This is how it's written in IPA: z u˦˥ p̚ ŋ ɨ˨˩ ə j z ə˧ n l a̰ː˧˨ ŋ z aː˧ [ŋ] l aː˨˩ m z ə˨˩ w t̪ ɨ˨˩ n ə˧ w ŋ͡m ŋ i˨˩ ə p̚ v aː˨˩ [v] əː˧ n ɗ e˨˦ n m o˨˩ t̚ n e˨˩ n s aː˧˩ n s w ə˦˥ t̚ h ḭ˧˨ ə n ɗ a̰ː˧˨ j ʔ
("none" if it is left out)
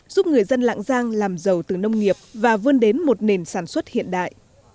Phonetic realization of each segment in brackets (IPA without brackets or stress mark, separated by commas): ŋ, v